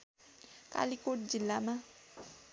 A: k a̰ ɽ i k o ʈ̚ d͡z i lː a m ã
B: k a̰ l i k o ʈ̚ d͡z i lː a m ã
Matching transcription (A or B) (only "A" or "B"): B